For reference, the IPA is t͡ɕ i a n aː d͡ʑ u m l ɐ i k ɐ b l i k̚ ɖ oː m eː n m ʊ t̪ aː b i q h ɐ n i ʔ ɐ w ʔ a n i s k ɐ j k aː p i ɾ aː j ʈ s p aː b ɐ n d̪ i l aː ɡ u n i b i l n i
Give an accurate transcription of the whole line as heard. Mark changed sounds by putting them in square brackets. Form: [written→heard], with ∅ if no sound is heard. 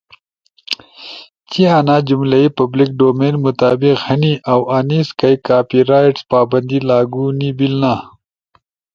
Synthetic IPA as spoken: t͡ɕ i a n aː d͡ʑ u m l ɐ i [k→p] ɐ b l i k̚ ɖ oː m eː n m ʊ t̪ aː b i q h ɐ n i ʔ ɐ w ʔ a n i s k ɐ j k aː p i ɾ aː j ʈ s p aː b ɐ n d̪ i l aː ɡ u n i b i l n [i→a]